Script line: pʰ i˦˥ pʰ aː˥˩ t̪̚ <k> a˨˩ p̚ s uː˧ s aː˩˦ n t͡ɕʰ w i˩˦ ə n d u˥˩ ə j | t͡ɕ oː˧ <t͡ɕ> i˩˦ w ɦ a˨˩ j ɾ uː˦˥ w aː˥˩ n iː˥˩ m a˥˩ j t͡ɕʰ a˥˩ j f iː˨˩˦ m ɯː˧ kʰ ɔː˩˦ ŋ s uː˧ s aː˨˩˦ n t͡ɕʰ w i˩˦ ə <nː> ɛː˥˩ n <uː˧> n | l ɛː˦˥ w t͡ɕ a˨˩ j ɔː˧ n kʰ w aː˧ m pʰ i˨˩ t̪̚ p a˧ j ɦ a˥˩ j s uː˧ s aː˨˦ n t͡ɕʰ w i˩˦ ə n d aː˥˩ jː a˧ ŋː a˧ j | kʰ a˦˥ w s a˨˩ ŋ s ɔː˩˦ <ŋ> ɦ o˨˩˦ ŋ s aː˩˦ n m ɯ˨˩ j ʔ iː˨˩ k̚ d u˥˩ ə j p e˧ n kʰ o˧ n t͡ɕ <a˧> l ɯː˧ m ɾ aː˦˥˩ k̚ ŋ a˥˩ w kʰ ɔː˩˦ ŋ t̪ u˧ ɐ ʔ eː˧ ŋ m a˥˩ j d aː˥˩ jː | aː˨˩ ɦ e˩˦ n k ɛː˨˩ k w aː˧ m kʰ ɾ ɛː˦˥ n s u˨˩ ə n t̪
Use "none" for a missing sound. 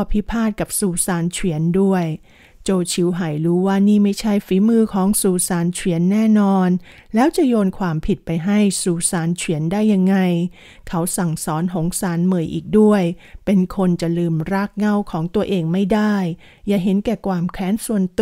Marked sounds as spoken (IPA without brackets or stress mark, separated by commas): k, t͡ɕʰ, nː, ɔː˧, n, a˨˩